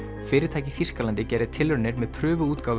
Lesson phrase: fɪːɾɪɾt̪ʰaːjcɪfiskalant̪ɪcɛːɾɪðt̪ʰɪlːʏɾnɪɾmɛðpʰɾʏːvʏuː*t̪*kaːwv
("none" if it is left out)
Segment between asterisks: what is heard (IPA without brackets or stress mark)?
t̪